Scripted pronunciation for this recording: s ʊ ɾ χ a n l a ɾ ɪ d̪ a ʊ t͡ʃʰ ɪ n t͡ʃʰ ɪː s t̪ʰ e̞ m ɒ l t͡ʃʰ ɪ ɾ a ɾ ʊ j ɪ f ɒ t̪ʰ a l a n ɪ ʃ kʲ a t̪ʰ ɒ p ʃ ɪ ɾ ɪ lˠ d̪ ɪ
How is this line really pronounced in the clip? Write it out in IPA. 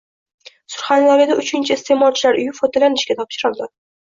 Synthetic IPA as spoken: s ʊ ɾ χ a n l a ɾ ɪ d̪ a ʊ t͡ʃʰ ɪ n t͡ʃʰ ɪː s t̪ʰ e̞ m ɒ l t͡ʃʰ ɪ l a ɾ ʊ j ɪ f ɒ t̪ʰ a l a n ɪ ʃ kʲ a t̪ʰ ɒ p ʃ ɪ ɾ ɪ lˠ d̪ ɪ